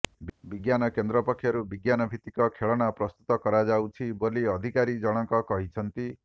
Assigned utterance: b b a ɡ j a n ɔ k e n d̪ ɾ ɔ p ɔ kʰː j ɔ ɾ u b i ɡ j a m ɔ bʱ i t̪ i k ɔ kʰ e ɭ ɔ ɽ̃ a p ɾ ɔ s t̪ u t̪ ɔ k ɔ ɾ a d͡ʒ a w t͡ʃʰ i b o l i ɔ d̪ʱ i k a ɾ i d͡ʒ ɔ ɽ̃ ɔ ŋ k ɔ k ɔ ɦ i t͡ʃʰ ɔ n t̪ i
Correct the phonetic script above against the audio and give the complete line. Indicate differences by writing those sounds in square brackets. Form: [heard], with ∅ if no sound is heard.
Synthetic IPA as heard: b b [i] ɡ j a n ɔ k e n d̪ ɾ ɔ p ɔ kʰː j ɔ ɾ u b i ɡ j a [n] ɔ bʱ i t̪ i k ɔ kʰ e ɭ ɔ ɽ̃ a p ɾ ɔ s t̪ u t̪ ɔ k ɔ ɾ a d͡ʒ a w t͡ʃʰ i b o l i ɔ d̪ʱ i k a ɾ i d͡ʒ ɔ ɽ̃ ɔ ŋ k ɔ k ɔ ɦ i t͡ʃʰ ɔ n t̪ i